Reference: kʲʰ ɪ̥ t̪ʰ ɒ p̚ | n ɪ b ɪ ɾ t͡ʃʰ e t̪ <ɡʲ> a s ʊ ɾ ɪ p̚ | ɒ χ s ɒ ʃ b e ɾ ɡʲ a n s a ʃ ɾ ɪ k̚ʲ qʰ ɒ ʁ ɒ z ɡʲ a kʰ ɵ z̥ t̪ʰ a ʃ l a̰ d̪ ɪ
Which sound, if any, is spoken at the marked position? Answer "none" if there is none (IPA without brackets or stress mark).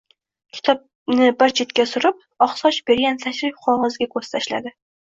kʲ